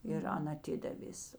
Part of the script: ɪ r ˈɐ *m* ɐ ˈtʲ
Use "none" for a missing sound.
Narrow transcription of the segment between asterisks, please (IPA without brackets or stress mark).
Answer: n